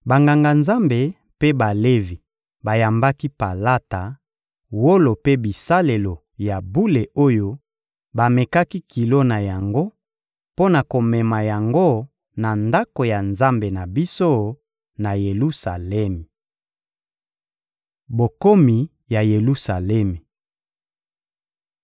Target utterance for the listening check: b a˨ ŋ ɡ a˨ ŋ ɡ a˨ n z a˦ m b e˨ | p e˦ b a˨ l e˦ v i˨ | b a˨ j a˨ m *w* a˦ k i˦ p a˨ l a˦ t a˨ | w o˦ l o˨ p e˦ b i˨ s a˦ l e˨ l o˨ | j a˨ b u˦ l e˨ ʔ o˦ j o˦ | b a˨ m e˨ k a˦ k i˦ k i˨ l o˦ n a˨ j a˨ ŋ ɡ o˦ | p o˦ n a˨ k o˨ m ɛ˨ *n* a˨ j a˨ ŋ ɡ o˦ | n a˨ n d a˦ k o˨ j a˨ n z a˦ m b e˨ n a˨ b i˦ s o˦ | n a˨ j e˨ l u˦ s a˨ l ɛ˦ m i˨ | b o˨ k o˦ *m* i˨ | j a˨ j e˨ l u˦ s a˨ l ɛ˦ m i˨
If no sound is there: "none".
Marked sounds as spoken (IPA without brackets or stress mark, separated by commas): b, m, m